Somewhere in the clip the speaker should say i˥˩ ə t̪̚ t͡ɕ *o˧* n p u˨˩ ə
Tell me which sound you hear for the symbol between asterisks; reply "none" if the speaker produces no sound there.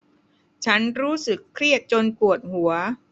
o˧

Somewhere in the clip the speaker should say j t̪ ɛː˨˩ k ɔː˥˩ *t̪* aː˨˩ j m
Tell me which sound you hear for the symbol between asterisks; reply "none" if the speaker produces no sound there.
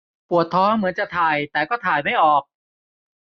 t̪ʰ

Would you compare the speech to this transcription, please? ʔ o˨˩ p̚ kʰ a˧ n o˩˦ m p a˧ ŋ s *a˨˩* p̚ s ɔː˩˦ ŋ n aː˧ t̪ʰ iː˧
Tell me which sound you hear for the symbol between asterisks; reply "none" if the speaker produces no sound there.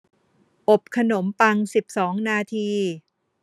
i˨˩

